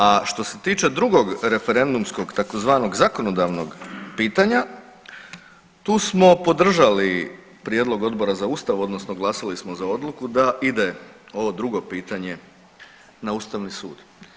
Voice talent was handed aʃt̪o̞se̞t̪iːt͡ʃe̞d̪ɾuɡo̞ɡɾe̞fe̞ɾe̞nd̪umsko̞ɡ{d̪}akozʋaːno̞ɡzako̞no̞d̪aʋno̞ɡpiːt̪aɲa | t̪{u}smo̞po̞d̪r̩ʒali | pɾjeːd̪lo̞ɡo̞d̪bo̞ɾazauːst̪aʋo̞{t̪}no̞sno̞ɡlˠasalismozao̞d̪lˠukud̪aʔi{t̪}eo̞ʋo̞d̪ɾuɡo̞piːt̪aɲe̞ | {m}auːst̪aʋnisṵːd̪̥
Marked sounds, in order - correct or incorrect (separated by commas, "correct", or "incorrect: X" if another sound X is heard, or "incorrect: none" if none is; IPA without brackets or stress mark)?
incorrect: t̪, incorrect: uː, incorrect: d̪, incorrect: d̪, incorrect: n